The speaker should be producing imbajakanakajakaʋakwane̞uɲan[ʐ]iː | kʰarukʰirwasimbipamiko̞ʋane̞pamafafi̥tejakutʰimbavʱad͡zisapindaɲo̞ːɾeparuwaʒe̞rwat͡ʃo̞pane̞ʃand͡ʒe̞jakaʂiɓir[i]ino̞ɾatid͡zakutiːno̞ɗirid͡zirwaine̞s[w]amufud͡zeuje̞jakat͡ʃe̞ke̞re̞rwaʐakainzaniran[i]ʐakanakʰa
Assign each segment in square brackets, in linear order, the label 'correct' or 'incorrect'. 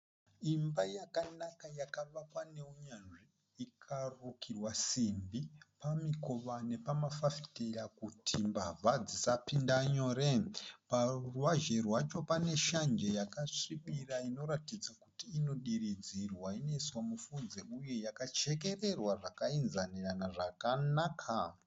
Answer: correct, incorrect, correct, incorrect

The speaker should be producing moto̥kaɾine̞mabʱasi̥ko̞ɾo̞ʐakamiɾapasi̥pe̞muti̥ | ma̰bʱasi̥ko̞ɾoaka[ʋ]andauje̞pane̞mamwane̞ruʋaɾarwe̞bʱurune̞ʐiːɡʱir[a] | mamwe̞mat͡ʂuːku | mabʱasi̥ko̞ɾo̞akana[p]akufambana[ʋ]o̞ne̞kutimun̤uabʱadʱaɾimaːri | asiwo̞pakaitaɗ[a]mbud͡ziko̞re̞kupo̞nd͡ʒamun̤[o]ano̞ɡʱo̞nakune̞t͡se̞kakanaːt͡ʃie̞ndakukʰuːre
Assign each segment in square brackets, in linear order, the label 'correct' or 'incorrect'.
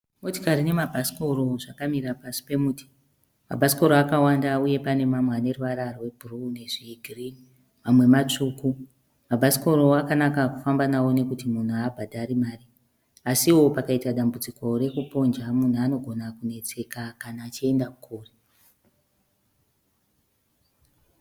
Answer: incorrect, incorrect, incorrect, incorrect, correct, incorrect

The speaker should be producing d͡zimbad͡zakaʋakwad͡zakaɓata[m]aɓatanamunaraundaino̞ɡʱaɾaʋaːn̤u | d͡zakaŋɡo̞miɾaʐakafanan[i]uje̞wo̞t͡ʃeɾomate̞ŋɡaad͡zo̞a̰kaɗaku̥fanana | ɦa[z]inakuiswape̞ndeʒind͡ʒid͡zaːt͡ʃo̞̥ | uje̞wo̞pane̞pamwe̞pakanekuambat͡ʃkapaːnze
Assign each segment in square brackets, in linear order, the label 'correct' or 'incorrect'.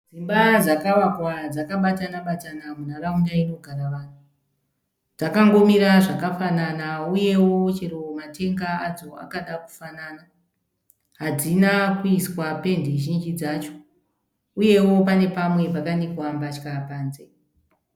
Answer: incorrect, incorrect, incorrect

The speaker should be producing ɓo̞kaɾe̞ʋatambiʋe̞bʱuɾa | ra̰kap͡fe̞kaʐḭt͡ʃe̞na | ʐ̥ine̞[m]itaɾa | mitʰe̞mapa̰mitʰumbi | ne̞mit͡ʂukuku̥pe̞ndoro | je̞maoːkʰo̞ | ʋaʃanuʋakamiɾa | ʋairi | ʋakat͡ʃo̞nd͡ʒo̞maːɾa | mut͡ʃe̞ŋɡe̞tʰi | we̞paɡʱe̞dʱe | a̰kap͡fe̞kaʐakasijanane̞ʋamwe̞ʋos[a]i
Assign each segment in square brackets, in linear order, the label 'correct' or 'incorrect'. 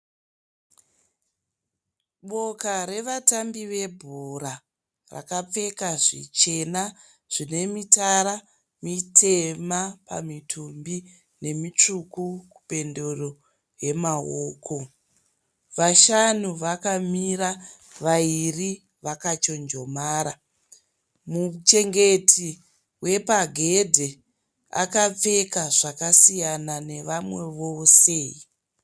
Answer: correct, incorrect

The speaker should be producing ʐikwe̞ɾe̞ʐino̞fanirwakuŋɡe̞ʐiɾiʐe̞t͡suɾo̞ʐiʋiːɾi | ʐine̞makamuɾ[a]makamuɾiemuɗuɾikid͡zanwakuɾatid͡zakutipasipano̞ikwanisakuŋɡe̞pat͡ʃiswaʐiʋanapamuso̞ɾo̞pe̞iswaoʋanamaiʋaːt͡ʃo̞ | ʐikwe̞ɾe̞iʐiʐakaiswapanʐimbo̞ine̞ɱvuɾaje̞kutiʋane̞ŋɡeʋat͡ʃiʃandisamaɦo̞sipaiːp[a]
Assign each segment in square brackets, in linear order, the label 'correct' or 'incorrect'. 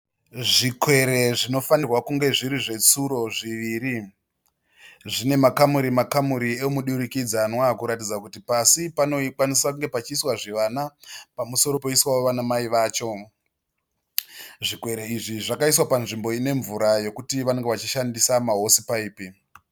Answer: incorrect, incorrect

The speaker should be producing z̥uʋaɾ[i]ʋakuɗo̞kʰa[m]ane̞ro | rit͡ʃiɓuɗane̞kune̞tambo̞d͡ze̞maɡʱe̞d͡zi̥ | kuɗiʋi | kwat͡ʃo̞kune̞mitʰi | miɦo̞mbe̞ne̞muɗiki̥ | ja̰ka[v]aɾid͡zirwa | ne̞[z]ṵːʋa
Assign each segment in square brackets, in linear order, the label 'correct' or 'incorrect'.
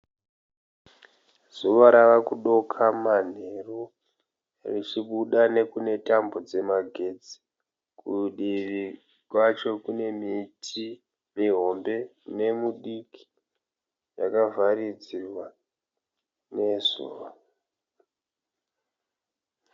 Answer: incorrect, correct, correct, correct

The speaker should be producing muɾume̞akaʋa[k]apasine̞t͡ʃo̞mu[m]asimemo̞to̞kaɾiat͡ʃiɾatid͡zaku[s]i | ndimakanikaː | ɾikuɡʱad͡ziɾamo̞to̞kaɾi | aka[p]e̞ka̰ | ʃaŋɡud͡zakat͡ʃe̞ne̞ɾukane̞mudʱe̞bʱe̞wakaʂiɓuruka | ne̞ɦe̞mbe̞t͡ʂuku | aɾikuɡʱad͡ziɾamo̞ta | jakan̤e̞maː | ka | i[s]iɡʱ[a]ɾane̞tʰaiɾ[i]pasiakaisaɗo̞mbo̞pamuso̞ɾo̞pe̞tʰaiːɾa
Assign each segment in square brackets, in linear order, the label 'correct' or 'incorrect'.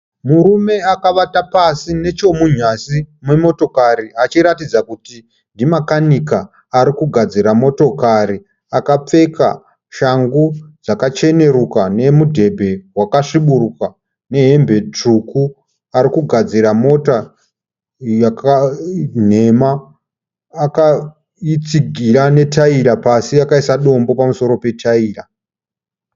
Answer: incorrect, incorrect, incorrect, incorrect, incorrect, incorrect, incorrect

